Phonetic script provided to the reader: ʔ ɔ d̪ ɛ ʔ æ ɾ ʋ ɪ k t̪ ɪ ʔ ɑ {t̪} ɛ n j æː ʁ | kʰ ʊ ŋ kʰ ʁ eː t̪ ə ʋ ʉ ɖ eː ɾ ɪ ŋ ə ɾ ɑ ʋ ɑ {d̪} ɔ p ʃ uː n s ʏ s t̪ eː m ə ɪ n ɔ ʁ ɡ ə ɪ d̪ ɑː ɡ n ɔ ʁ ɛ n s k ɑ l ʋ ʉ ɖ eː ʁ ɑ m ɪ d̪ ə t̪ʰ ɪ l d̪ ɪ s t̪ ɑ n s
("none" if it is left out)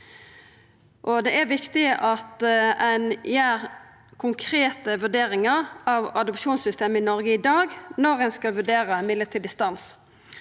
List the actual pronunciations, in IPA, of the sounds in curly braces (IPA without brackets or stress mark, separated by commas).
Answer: t̪, d̪